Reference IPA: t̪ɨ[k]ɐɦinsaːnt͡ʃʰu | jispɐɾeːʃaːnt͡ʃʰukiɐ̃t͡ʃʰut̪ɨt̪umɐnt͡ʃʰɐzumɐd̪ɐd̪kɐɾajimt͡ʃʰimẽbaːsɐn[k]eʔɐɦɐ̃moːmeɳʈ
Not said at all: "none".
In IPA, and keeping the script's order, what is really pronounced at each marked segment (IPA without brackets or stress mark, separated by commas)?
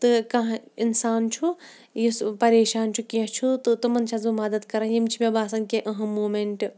k, k